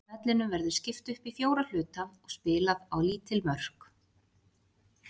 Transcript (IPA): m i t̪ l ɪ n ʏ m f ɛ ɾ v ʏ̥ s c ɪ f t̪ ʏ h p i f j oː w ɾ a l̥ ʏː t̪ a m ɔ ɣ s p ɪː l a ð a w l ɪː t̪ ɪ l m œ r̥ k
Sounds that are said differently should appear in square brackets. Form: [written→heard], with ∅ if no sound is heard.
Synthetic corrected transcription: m [i→ɛ] t̪ l ɪ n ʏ m [f→v] ɛ ɾ [v→ð] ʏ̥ s c ɪ f t̪ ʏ h p i f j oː w ɾ a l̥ ʏː t̪ a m ɔ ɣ s p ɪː l a ð a w l [ɪː→iː] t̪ ɪ l m œ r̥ k

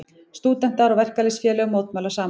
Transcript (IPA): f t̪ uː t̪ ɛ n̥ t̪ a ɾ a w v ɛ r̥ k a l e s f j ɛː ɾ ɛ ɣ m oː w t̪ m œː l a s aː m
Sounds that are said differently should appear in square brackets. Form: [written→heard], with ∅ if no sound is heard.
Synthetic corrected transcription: [f→s] t̪ uː t̪ ɛ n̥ t̪ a ɾ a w v ɛ r̥ k a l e s f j ɛː [ɾ→l] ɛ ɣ m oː w t̪ m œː l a s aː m

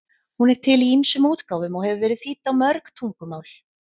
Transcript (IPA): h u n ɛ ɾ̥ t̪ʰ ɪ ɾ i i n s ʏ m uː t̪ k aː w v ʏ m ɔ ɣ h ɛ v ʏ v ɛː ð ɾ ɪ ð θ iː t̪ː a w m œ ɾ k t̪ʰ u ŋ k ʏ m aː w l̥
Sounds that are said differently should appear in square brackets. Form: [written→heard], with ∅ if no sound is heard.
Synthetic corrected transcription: h u n ɛ ɾ̥ t̪ʰ ɪ [ɾ→l] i i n s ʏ m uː t̪ k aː w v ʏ m ɔ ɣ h ɛ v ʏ v ɛː [ð→∅] ɾ ɪ ð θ iː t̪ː a w m œ ɾ k t̪ʰ u ŋ k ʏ m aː w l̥

